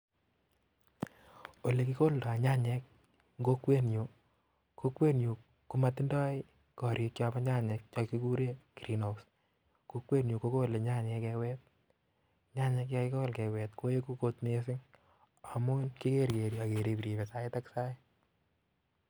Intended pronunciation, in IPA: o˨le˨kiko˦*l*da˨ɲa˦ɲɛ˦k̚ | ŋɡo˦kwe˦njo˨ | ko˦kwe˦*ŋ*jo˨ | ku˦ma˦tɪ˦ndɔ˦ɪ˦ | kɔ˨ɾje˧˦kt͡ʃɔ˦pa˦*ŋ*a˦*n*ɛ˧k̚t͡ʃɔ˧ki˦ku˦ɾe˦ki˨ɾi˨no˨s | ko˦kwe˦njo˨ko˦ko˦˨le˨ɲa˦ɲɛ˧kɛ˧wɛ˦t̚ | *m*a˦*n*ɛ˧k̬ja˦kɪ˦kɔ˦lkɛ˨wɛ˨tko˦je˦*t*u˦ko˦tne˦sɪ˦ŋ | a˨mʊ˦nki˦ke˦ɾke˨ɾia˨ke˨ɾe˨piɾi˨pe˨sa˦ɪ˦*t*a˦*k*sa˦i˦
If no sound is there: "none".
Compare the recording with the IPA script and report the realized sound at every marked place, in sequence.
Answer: l, n, ɲ, ɲ, ɲ, ɲ, k, t, k

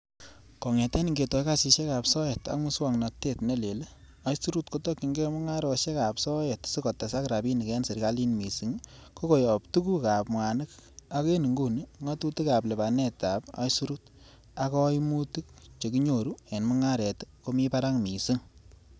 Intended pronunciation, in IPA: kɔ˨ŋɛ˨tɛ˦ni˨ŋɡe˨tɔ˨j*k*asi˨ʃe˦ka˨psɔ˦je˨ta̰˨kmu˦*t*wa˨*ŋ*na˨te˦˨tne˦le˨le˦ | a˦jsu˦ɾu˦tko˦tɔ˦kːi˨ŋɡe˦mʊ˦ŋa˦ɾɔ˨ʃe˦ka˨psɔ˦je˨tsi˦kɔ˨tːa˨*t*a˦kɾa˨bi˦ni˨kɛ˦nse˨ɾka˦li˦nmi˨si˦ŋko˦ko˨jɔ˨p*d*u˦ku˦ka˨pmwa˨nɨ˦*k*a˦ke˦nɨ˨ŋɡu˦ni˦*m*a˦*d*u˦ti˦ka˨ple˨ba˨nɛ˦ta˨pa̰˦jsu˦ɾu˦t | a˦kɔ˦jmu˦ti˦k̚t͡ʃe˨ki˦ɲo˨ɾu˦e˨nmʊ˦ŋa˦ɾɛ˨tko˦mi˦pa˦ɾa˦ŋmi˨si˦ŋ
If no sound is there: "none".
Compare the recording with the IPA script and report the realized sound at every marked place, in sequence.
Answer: k, s, ŋ, s, t, k, ŋ, t

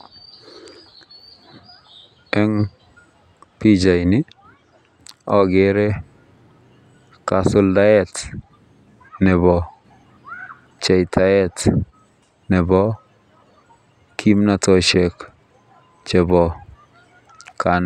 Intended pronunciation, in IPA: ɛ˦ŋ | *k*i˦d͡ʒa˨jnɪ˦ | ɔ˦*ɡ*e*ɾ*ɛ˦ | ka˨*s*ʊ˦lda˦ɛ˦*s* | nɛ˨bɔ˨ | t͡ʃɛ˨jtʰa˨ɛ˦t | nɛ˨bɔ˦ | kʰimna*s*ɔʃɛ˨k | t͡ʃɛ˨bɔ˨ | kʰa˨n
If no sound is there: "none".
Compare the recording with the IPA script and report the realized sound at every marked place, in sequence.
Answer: p, ɡ, ɾ, s, t, t

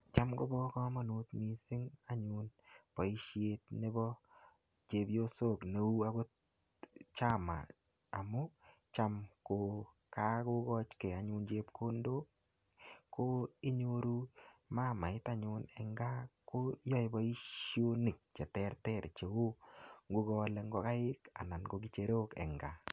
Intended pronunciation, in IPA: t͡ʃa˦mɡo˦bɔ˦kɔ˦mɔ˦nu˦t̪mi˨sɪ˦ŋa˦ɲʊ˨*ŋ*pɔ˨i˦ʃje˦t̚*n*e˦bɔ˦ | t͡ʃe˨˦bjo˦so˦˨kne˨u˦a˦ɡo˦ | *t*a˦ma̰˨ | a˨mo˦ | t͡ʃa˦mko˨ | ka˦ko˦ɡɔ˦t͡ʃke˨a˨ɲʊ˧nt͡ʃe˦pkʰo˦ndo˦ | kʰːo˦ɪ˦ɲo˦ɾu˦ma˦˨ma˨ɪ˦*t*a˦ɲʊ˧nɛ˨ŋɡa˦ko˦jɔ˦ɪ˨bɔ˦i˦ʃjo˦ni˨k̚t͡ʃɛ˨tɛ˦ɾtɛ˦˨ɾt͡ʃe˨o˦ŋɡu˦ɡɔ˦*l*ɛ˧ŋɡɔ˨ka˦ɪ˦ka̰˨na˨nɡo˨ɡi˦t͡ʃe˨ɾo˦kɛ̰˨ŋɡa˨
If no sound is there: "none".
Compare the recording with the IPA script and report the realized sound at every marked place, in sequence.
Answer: n, n, t͡ʃ, t, l

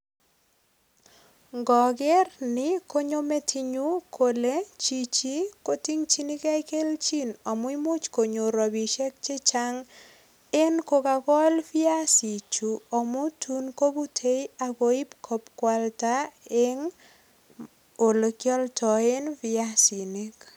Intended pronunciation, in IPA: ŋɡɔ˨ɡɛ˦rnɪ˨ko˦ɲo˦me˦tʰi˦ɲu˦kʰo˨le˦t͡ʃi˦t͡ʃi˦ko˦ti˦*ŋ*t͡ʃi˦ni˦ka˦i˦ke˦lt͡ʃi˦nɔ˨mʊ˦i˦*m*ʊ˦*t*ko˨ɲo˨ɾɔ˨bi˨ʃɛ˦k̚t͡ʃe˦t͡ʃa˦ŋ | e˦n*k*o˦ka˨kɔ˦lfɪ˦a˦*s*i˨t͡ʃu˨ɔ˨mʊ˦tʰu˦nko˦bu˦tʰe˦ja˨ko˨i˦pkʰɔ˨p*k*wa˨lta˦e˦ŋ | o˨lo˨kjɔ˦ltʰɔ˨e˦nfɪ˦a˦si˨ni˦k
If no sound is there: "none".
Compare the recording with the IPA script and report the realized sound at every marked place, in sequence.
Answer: ŋ, m, t͡ʃ, k, s, k

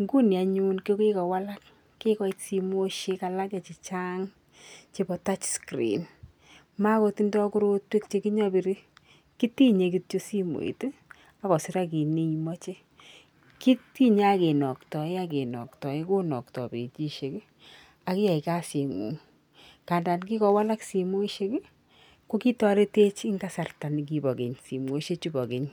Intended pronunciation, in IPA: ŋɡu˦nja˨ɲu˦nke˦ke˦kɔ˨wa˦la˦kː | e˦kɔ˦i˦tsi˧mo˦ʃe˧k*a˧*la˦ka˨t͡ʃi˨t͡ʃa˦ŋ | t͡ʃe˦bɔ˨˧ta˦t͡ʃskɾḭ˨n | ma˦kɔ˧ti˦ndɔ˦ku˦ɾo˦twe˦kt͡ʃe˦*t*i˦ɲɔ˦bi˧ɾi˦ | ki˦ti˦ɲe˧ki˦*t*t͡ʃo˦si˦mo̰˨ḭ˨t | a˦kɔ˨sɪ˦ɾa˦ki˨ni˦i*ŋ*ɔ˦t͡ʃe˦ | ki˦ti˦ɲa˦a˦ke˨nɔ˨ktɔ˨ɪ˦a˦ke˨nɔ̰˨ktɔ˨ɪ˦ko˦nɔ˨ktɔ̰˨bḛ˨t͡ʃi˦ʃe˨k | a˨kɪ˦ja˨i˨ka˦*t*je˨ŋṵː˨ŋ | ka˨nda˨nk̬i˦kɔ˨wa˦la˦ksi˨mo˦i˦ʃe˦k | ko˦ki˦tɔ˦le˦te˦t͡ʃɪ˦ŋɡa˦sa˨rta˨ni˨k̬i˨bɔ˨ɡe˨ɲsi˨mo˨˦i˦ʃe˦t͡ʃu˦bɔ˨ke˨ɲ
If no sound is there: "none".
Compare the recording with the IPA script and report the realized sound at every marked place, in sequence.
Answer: a˧, k, t, m, s

